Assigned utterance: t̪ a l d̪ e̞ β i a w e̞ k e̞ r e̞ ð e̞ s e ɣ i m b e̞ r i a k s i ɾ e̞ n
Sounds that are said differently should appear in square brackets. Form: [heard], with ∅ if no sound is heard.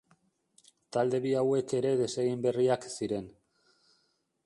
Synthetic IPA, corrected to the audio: t̪ a l d̪ e̞ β i a w e̞ k e̞ [ɾ] e̞ ð e̞ s e ɣ i m b e̞ r i a k s i ɾ e̞ n